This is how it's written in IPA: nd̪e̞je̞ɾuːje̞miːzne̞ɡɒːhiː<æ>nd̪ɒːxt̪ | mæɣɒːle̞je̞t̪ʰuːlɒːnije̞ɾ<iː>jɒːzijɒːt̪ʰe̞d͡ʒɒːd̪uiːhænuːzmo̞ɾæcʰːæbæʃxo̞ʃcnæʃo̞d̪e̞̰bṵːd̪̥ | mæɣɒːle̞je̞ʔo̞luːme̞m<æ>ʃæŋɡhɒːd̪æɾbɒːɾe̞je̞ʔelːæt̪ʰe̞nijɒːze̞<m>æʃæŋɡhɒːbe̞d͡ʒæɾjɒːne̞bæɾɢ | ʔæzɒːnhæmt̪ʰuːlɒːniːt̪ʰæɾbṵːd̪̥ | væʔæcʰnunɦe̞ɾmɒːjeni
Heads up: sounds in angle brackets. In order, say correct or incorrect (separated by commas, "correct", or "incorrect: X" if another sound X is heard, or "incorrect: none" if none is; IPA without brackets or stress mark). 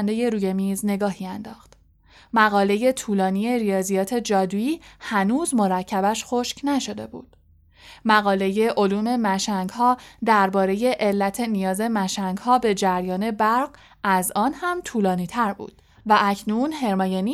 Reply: correct, incorrect: i, correct, correct